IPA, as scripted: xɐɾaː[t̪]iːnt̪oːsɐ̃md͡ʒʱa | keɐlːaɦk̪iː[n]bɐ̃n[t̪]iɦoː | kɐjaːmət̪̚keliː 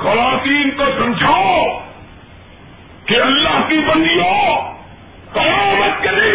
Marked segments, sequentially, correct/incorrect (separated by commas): correct, incorrect, incorrect